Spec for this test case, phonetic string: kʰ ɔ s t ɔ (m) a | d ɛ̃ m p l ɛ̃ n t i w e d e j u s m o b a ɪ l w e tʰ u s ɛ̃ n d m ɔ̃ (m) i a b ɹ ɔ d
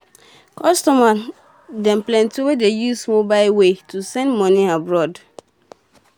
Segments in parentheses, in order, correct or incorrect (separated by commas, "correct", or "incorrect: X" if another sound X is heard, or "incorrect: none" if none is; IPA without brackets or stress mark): correct, incorrect: n